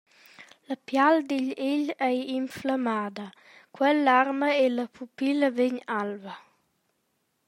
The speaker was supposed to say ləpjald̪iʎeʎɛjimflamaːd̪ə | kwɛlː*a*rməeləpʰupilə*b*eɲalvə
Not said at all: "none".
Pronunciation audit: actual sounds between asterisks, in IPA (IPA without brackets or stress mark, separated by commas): a, v